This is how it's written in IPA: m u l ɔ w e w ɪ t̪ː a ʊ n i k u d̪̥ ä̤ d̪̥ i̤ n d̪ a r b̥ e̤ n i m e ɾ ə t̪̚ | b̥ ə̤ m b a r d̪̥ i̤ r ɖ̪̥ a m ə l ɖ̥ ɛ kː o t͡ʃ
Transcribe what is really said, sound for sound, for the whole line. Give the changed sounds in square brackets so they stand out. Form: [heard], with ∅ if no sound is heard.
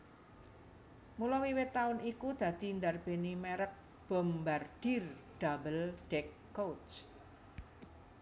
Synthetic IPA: m u l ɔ w [i] w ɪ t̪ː a ʊ n i k u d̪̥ ä̤ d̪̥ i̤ n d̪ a r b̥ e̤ n i m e ɾ ə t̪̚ | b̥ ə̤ m b a r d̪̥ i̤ r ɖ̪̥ a [b] ə l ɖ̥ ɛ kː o t͡ʃ